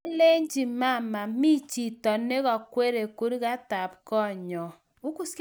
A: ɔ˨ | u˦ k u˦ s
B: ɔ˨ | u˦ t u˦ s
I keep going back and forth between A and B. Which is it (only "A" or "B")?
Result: A